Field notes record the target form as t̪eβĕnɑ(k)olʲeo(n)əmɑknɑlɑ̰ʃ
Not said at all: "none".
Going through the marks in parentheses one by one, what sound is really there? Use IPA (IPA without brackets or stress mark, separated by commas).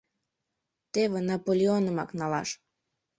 p, n